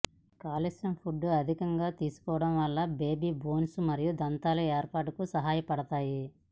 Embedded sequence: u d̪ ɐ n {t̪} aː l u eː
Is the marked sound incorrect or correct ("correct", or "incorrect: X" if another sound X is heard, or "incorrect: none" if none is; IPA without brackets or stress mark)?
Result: correct